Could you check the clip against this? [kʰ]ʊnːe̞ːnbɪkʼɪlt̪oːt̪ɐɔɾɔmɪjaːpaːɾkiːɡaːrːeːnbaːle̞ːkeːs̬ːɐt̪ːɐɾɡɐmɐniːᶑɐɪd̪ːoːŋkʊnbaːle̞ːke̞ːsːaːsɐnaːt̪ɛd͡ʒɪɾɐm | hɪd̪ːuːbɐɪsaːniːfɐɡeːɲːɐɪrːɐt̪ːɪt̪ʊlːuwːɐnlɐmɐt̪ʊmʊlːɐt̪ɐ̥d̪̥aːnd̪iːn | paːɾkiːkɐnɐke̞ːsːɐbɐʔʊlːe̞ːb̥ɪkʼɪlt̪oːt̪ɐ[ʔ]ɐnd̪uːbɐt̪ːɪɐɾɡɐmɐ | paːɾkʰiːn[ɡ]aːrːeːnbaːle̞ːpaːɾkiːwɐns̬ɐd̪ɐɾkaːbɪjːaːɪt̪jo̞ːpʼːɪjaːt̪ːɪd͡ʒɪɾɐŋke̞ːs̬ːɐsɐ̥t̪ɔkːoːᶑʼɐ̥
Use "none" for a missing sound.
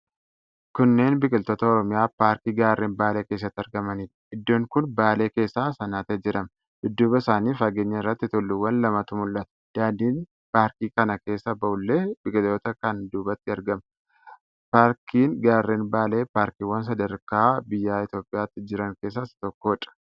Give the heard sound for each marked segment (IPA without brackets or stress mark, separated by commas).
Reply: k, k, ɡ